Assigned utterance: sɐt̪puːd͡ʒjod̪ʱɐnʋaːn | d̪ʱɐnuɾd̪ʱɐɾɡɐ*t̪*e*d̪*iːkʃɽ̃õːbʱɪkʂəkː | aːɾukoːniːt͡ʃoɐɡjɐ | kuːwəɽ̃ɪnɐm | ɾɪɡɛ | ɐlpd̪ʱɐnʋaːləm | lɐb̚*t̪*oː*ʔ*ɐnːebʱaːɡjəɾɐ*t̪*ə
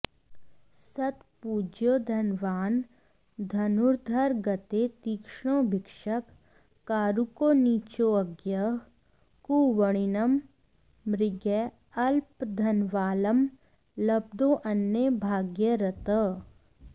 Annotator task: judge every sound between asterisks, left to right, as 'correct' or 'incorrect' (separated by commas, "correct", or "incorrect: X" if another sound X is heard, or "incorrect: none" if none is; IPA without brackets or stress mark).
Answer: correct, incorrect: t̪, incorrect: d̪, correct, correct